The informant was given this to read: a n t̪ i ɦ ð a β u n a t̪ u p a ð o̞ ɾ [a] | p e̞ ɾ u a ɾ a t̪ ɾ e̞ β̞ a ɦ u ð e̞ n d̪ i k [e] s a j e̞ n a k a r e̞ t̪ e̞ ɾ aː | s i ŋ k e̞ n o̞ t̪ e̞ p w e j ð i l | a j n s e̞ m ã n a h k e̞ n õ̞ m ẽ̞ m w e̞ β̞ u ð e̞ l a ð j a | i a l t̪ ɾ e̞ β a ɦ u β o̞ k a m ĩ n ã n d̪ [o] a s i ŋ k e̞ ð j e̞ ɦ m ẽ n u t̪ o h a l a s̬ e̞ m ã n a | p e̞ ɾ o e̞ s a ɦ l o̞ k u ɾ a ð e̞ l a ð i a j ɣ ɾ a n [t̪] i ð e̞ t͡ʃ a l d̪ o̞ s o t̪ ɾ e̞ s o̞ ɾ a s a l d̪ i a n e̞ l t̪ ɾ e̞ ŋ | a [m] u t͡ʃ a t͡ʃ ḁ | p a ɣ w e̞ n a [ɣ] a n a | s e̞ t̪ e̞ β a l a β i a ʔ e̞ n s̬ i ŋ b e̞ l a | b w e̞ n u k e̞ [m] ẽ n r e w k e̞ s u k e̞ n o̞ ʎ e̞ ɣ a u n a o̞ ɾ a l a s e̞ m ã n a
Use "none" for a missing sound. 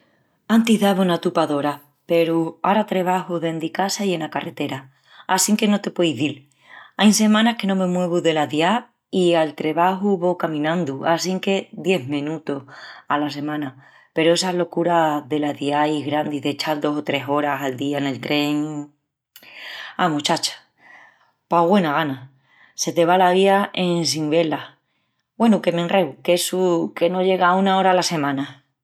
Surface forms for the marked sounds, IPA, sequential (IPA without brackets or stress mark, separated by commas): a, a, u, d̪, m, ɣ, m